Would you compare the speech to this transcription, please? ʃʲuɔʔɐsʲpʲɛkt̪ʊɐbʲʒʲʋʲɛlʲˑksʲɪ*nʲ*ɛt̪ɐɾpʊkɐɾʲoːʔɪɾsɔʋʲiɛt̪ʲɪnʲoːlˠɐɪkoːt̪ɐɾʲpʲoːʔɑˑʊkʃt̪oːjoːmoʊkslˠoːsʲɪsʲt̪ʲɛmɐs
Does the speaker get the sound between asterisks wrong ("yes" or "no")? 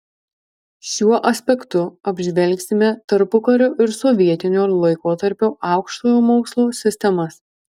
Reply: yes